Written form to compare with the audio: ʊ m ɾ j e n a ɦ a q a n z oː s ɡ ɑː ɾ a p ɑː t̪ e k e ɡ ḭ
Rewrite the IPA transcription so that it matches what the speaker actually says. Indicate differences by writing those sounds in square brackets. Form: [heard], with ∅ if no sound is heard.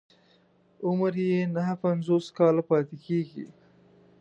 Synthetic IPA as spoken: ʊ m ɾ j e n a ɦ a [p] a n z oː s [k] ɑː [l] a p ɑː t̪ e k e ɡ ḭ